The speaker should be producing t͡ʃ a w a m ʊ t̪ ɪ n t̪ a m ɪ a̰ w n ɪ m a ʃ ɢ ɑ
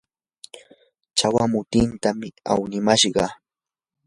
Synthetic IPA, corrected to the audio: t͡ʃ a w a m ʊ t̪ ɪ n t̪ a m ɪ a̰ w n ɪ m a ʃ ɢ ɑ